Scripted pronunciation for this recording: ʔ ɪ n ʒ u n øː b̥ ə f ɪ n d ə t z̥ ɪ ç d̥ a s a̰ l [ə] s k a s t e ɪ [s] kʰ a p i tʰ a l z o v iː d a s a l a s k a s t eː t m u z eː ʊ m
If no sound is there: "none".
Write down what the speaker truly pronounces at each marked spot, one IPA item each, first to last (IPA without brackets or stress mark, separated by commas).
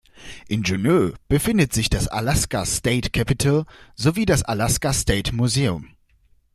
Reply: a, t